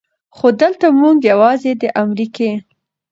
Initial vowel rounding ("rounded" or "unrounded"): rounded